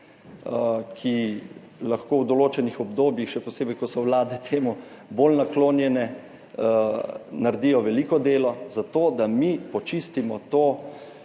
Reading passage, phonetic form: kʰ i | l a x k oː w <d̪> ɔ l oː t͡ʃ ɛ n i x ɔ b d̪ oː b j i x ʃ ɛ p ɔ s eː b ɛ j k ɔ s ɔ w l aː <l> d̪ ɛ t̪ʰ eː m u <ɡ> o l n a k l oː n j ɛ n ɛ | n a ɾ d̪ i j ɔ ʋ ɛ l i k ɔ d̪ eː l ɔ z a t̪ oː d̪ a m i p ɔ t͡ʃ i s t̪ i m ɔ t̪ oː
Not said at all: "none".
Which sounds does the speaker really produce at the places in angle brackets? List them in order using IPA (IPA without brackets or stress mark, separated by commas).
d̪, none, b